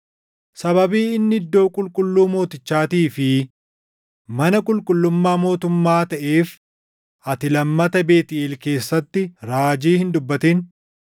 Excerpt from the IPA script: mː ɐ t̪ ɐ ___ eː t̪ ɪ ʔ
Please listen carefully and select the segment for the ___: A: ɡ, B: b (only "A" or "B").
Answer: B